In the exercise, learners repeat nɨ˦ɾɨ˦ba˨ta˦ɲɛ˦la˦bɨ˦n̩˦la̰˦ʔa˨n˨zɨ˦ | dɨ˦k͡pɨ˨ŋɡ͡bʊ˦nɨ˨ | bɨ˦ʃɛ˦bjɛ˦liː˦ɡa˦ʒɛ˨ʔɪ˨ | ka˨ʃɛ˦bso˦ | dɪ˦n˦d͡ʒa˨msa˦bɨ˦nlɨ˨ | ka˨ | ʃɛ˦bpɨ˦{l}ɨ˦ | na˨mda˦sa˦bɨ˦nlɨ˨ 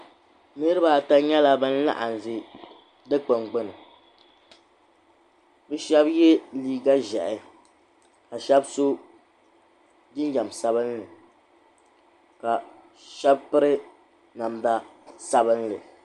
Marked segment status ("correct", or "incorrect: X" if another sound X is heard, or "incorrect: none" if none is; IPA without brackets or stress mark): incorrect: ɾ